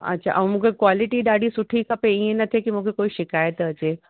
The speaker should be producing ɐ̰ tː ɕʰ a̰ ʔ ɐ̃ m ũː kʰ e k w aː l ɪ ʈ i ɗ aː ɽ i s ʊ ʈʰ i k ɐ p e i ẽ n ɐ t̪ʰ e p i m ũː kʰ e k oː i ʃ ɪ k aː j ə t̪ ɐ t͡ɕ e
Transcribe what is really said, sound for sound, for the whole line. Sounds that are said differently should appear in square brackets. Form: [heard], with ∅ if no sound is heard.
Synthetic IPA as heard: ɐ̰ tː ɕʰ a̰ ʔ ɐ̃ m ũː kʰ e k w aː l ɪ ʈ i ɗ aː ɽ i s ʊ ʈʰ i k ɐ p e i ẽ n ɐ t̪ʰ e [k] i m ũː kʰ e k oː i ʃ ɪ k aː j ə t̪ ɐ t͡ɕ e